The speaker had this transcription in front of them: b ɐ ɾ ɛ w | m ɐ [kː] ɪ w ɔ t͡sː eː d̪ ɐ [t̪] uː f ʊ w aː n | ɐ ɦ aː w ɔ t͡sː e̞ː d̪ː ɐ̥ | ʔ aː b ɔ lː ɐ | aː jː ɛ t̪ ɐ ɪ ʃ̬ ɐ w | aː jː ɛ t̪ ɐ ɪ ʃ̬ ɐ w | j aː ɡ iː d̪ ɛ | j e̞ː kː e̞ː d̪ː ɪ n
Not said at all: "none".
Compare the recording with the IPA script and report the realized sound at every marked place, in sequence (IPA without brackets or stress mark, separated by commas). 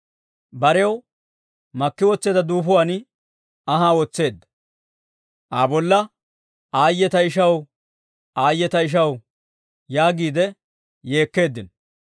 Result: kː, d̪